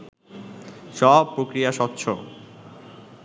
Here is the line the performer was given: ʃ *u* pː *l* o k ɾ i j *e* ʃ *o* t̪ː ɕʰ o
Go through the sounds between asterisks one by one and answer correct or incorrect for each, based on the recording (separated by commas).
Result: incorrect, incorrect, incorrect, incorrect